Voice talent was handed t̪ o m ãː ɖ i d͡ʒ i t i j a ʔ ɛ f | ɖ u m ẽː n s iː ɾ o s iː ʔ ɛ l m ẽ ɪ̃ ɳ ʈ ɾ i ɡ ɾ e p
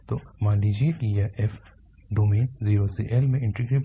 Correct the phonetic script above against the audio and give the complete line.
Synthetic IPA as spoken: t̪ o m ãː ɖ i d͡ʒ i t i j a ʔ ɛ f | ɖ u m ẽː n z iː ɾ o s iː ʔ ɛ l m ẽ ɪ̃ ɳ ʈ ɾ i ɡ ɾ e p